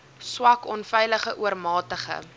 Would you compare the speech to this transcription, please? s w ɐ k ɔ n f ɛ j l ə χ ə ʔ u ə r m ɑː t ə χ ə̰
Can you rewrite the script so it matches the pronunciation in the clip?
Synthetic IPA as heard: s w ɐ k ɔ n f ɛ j l ə χ ə ʔ u ə r m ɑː t ə χ ə̰